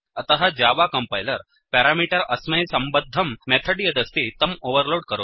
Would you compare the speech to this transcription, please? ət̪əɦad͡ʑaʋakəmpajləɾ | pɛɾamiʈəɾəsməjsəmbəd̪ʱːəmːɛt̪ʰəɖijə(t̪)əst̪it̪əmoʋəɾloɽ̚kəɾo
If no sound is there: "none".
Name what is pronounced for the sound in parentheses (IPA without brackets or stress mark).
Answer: d̪